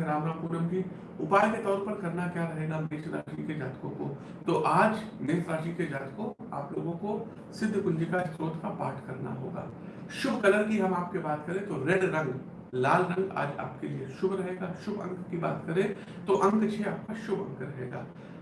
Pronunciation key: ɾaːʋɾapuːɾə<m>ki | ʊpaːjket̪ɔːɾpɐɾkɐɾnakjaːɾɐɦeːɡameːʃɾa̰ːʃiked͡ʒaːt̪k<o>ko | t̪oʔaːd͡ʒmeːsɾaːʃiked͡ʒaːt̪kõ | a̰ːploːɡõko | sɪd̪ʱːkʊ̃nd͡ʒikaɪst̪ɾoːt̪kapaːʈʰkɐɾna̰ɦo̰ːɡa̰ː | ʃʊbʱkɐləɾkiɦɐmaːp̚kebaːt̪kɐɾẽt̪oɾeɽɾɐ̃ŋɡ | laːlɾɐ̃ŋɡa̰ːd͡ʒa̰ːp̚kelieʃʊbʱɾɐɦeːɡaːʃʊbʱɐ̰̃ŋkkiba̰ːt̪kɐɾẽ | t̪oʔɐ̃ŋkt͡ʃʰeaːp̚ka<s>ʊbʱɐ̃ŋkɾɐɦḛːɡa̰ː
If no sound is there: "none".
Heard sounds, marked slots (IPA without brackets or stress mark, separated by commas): m, õ, ʃ